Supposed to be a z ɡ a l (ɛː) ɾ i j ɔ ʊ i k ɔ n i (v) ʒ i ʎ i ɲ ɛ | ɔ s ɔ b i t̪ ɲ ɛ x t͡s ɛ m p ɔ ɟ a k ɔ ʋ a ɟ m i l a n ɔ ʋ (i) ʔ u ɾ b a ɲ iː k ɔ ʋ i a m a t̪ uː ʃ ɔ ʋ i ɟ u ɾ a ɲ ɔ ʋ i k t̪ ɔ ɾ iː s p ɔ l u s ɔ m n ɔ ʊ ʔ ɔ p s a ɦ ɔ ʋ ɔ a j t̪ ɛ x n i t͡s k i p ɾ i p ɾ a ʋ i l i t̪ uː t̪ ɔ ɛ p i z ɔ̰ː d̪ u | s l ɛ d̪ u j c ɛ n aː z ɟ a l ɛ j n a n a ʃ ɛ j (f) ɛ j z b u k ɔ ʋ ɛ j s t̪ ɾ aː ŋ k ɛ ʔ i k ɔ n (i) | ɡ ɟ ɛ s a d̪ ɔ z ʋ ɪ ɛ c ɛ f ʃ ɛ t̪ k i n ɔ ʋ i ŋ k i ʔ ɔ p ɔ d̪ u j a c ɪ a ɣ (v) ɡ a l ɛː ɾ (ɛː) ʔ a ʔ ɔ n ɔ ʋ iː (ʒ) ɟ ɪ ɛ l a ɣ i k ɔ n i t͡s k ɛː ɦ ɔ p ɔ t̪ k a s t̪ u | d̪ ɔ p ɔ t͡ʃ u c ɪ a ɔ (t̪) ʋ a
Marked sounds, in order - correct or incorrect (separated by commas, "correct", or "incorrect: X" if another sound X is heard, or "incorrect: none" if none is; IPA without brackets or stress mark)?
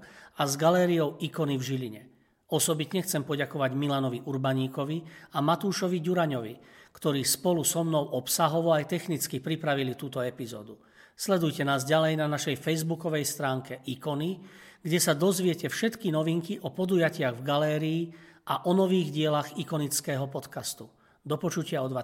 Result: correct, correct, correct, correct, correct, correct, incorrect: iː, incorrect: ɣ, incorrect: d̪